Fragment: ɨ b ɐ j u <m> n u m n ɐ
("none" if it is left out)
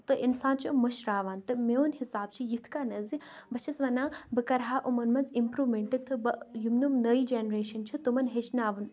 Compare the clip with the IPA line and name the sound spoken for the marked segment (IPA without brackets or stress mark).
m